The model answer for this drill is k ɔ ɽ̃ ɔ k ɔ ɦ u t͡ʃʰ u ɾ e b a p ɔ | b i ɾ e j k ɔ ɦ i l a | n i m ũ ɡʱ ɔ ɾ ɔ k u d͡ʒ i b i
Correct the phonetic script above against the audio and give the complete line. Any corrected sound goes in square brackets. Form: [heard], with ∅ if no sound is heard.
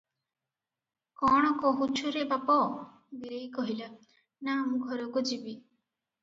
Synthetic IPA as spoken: k ɔ ɽ̃ ɔ k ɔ ɦ u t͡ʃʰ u ɾ e b a p ɔ | b i ɾ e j k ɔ ɦ i l a | n [a] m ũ ɡʱ ɔ ɾ ɔ k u d͡ʒ i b i